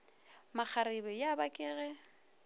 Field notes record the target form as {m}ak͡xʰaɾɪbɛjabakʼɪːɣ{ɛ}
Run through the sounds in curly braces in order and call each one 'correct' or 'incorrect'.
correct, correct

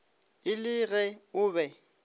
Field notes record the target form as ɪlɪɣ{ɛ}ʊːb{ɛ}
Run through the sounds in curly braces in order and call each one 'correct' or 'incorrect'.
correct, correct

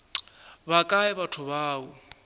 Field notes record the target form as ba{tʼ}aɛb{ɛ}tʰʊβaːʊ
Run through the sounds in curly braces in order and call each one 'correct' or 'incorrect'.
incorrect: kʼ, incorrect: a

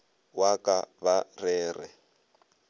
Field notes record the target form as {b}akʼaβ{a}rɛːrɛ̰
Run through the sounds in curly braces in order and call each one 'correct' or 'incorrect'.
incorrect: w, correct

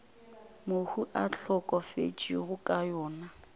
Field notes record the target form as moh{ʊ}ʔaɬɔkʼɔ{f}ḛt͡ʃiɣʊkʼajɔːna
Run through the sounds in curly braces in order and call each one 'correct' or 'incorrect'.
incorrect: u, correct

